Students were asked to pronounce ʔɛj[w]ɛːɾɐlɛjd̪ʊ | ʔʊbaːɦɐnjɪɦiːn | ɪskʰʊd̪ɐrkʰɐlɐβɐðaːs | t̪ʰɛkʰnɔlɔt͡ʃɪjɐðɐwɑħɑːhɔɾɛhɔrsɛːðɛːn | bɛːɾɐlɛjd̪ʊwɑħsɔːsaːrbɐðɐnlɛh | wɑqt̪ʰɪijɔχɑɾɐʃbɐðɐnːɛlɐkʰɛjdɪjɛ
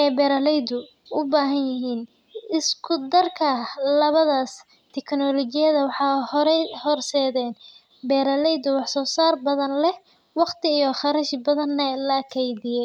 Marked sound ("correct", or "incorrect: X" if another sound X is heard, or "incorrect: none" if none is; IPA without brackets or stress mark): incorrect: b